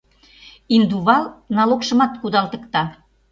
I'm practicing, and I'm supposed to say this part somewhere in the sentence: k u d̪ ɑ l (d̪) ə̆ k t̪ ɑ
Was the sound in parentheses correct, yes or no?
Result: no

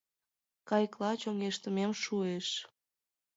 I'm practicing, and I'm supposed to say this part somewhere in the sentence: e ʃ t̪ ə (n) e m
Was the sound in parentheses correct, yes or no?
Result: no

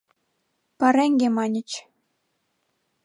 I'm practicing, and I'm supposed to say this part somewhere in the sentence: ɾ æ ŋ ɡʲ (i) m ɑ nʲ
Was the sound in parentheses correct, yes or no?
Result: no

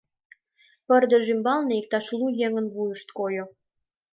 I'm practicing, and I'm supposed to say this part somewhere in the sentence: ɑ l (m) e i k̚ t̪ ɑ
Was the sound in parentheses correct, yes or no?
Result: no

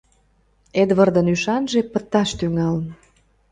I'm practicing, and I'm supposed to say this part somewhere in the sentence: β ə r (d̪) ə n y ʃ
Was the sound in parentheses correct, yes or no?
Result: yes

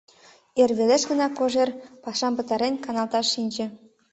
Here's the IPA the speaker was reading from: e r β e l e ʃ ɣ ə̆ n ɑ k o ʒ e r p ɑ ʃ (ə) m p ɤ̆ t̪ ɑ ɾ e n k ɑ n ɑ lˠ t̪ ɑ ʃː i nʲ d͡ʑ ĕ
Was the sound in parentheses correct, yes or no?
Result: no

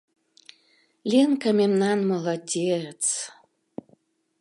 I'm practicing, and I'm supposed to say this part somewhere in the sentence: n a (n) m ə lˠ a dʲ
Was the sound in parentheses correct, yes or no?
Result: yes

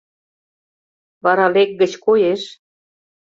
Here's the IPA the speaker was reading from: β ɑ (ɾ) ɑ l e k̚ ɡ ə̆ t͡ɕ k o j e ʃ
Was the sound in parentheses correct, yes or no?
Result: yes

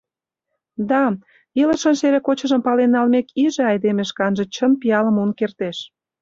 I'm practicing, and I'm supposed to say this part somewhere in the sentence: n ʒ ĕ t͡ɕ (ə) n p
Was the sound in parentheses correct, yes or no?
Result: yes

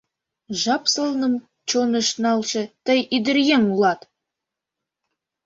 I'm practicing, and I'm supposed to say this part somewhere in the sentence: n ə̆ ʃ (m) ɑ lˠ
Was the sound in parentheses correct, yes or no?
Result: no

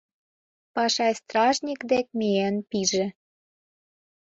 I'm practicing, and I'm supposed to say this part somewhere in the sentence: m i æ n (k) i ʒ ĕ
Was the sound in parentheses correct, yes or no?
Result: no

